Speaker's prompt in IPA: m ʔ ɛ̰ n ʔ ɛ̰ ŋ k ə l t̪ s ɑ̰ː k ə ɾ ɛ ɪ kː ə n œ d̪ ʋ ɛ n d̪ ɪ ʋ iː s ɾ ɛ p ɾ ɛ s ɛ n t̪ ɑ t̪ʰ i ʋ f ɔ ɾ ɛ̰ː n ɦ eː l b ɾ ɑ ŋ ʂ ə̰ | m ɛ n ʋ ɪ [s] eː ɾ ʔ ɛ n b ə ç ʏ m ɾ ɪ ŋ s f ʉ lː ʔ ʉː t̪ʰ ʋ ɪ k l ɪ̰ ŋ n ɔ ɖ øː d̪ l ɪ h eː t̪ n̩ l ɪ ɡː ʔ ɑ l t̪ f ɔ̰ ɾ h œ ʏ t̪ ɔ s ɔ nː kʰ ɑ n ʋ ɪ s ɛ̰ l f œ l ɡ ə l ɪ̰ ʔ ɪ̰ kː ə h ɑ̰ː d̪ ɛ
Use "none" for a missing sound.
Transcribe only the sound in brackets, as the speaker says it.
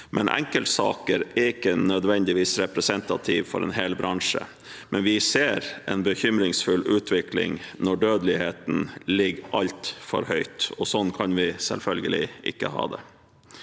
s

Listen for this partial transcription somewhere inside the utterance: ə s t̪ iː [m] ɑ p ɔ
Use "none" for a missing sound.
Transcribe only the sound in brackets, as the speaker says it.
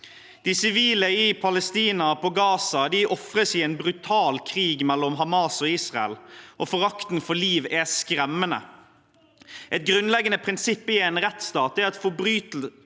n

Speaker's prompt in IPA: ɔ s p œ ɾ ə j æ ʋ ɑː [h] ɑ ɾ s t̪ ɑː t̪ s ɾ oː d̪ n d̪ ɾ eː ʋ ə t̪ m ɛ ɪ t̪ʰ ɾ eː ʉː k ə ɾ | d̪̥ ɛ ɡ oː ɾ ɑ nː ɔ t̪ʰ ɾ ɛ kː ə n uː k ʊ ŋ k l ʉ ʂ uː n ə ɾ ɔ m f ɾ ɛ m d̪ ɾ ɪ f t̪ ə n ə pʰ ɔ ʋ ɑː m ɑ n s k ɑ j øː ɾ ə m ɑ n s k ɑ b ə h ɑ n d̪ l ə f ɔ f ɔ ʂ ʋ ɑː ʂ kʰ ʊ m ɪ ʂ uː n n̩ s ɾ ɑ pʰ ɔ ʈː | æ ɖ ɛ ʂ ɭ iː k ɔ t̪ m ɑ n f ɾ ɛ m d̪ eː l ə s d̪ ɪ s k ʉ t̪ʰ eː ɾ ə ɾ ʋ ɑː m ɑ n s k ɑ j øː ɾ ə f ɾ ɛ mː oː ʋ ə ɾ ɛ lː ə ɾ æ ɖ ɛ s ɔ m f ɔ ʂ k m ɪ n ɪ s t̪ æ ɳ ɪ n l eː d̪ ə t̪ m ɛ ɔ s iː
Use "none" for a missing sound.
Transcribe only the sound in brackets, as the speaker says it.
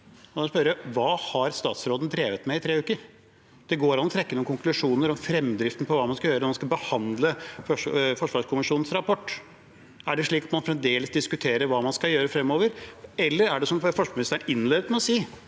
h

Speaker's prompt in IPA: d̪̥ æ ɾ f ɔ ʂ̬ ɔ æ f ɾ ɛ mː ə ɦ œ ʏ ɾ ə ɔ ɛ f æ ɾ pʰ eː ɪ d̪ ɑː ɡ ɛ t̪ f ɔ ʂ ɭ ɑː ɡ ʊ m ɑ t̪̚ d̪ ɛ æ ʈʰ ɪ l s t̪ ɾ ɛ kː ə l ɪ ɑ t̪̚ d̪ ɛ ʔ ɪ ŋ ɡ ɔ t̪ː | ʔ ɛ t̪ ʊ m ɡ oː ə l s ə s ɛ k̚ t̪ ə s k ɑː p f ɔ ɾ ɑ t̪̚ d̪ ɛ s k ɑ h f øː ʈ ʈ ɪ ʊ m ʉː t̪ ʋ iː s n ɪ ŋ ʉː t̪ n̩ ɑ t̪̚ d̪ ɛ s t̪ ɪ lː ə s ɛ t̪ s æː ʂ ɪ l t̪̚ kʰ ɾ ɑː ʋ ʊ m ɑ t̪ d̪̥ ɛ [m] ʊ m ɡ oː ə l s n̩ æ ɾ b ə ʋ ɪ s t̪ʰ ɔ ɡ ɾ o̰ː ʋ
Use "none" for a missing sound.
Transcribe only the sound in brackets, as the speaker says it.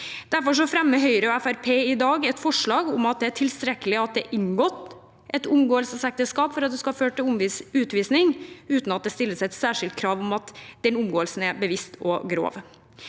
n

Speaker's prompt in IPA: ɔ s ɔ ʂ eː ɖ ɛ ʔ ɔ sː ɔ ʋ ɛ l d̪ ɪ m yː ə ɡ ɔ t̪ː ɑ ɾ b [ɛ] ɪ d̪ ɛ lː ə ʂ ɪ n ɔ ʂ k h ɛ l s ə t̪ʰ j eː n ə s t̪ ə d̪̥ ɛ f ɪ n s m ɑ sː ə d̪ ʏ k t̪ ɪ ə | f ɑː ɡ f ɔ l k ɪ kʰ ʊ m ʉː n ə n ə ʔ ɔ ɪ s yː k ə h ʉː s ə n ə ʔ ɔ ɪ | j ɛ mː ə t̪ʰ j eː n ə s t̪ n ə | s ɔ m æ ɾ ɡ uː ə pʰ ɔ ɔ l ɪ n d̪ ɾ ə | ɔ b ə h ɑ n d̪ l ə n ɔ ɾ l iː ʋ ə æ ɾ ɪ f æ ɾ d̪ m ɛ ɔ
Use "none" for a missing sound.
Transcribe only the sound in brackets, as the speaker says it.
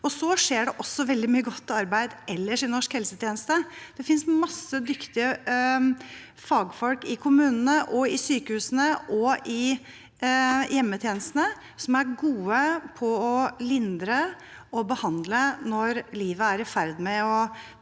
æ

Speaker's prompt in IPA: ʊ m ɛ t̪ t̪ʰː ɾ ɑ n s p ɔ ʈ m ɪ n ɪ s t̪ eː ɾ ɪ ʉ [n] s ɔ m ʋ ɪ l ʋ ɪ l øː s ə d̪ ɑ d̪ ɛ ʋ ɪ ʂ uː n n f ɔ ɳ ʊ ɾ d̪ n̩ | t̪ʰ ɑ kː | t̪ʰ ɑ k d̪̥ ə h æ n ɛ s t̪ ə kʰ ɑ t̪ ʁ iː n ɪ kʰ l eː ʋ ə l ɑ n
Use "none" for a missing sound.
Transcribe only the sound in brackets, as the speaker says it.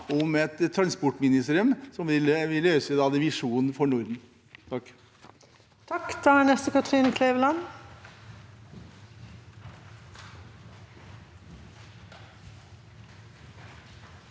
m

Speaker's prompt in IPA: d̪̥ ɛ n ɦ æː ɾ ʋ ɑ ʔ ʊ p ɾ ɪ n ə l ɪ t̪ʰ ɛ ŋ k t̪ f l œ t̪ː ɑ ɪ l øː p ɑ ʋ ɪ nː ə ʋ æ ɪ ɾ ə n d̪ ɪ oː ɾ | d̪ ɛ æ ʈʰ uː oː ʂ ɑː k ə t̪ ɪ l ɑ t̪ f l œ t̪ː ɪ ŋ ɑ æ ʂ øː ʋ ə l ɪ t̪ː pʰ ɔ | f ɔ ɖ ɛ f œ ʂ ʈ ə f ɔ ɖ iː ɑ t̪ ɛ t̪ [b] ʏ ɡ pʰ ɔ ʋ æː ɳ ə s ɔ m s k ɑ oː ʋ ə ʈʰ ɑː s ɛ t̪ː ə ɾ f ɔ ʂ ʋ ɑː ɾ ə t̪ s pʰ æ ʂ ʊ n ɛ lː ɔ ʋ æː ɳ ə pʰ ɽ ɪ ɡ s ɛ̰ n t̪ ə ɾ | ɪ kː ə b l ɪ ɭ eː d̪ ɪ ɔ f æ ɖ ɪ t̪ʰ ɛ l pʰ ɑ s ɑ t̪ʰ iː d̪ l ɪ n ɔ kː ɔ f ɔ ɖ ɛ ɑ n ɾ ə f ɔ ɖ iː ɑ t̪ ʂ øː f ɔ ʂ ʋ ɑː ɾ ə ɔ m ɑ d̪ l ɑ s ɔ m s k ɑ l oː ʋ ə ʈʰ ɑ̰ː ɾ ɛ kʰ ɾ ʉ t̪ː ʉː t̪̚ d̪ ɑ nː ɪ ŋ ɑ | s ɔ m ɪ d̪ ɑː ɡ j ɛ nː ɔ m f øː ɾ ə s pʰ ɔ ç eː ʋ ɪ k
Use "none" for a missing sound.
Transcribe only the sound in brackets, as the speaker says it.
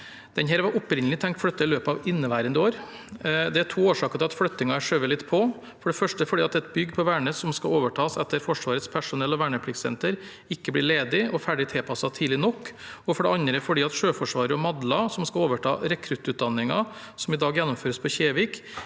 b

